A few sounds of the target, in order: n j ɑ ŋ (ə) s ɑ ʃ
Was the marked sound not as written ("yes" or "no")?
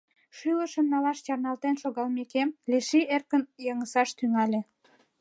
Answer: no